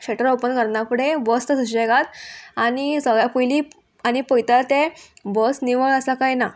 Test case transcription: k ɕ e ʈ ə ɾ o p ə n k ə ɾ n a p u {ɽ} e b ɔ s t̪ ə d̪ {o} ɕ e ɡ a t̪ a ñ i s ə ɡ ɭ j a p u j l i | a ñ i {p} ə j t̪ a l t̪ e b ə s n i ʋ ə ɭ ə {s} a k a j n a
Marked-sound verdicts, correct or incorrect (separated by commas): correct, incorrect, correct, correct